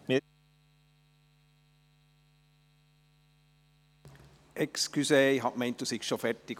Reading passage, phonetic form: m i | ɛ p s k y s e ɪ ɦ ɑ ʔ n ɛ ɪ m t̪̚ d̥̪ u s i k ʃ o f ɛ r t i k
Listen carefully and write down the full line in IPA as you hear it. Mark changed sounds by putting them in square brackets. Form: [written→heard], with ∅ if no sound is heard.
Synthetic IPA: m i | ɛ [p→k] s k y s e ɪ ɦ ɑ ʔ [n→m] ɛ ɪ [m→n] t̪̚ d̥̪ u s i k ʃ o f ɛ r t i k

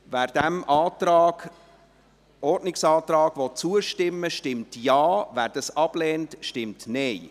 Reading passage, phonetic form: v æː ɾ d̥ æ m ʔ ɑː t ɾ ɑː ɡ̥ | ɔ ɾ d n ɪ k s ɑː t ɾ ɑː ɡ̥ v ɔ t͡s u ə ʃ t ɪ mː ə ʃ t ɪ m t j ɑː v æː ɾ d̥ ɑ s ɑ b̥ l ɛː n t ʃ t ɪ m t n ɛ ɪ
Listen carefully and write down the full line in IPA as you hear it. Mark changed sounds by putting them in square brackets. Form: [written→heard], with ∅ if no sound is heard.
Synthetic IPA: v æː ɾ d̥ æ m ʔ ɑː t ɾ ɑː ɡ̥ | ɔ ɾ d n ɪ k s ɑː t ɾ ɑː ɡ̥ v ɔ t͡s u ə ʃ t ɪ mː ə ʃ t ɪ m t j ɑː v æː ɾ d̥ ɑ s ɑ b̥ l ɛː n t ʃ t ɪ m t n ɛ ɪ

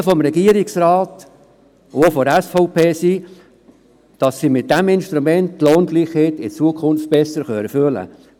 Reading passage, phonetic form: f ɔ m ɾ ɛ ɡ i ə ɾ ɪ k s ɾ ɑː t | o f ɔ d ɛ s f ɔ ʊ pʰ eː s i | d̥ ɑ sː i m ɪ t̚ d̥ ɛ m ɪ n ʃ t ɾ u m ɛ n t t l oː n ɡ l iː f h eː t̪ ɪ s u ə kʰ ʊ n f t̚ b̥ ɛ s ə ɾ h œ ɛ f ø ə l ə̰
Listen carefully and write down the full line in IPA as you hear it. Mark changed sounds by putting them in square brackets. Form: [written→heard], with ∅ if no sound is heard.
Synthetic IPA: f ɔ m ɾ ɛ ɡ i ə ɾ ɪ k s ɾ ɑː t | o f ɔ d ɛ s f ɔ ʊ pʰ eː s i | d̥ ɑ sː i m ɪ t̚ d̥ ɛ m ɪ n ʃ t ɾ u m ɛ n t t l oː n ɡ l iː [f→χ] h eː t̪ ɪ [s→t͡s] u ə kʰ ʊ n f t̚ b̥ ɛ s ə ɾ [h→χ] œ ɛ f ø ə l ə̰

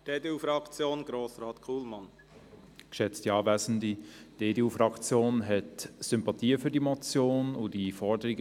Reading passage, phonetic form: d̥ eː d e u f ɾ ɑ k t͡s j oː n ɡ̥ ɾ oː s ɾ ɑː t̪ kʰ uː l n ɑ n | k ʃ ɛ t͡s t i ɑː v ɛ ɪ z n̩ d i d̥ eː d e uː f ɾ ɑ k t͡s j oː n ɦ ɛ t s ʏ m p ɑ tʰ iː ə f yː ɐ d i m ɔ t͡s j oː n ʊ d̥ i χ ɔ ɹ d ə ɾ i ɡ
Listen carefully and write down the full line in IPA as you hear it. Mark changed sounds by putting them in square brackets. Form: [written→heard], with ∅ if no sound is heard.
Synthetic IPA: d̥ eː d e u f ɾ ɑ k t͡s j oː n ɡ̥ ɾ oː s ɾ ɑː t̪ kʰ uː l [n→m] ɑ n | k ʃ ɛ t͡s t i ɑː v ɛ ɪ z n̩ d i d̥ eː d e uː f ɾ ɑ k t͡s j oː n ɦ ɛ t s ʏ m p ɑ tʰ iː ə f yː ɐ d i m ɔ t͡s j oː n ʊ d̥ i [χ→f] ɔ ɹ d ə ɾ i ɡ

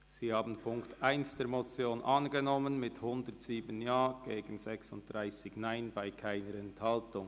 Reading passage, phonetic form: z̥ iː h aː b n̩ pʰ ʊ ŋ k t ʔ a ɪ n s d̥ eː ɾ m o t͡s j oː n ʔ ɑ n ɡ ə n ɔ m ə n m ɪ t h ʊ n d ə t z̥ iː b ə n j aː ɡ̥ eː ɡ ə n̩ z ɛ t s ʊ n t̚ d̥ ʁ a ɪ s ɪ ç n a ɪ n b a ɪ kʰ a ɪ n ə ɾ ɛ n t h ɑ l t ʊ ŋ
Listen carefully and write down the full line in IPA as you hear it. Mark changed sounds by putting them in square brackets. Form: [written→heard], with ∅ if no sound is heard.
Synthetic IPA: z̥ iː h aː b n̩ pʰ ʊ ŋ k t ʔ a ɪ n s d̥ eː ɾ m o t͡s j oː n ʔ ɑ n ɡ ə n ɔ m ə n m ɪ t h ʊ n d ə t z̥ iː b ə n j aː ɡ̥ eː ɡ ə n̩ z ɛ [t→k] s ʊ n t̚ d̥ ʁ a ɪ s ɪ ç n a ɪ n b a ɪ kʰ a ɪ n ə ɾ ɛ n t h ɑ l t ʊ ŋ

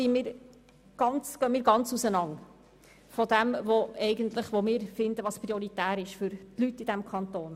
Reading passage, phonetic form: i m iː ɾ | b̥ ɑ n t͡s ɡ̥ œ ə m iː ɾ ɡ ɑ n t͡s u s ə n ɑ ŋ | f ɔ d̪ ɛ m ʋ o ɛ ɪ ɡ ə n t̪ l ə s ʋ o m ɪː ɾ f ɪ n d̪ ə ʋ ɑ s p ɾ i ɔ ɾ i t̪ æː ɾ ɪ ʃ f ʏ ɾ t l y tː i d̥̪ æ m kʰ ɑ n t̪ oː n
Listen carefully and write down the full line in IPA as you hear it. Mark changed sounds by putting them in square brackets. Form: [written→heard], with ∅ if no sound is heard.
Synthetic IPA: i m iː ɾ | [b̥→ɡ̥] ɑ n t͡s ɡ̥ œ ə m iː ɾ ɡ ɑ n t͡s u s ə n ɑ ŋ | f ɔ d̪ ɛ m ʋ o ɛ ɪ ɡ ə n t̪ l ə [s→χ] ʋ o m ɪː ɾ f ɪ n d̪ ə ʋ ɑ s p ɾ i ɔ ɾ i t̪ æː ɾ ɪ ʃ f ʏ ɾ t l y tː i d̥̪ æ m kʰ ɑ n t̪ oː n

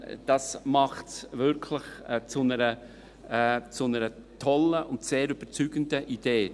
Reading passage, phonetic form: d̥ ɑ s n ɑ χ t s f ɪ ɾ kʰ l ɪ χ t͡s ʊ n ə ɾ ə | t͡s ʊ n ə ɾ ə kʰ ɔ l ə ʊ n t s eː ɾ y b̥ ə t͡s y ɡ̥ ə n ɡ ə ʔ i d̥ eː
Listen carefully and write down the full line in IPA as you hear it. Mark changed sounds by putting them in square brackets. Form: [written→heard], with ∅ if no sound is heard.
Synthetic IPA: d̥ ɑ s [n→m] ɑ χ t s [f→v] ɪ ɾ kʰ l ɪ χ t͡s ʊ n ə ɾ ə | t͡s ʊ n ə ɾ ə [kʰ→tʰ] ɔ l ə ʊ n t s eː ɾ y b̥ ə t͡s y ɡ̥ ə n [ɡ→d] ə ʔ i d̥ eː

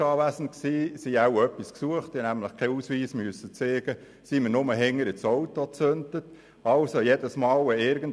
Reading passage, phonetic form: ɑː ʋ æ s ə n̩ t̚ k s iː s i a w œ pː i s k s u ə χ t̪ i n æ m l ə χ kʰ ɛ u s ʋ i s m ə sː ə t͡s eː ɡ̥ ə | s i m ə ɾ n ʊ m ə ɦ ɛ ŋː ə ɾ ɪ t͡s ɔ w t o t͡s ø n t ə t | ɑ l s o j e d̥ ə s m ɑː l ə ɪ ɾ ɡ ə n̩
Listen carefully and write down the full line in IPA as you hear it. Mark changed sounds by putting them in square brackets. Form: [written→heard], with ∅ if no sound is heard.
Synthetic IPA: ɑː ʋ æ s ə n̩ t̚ k s iː s i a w œ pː i s k s u ə χ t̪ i n æ m l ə χ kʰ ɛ u s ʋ [i→iː] s m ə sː ə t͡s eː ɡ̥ ə | s i m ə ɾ n ʊ m ə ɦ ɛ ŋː ə ɾ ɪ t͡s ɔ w t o t͡s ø n t ə t | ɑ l s o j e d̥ ə s m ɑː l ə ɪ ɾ ɡ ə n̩

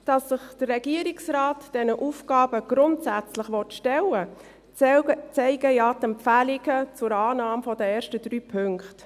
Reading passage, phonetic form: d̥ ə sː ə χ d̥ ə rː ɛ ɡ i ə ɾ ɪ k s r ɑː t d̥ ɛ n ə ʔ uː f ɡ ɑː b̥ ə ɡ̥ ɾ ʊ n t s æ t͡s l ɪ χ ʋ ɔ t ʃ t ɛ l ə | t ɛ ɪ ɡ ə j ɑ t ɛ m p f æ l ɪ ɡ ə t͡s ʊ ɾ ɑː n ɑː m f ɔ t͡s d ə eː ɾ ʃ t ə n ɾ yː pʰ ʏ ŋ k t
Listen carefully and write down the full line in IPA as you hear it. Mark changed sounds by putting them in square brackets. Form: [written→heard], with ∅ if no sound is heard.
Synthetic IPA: d̥ [ə→ɑ] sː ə χ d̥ ə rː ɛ ɡ i ə ɾ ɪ k s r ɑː t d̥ ɛ n ə ʔ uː f ɡ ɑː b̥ ə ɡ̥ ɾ ʊ n t s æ t͡s l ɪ χ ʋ ɔ t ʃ t ɛ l ə | [t→t͡s] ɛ ɪ ɡ ə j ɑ t ɛ m p f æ l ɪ ɡ ə t͡s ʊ ɾ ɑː n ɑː m f ɔ [t͡s→∅] d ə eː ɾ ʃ t ə [n→d] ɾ yː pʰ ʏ ŋ k t

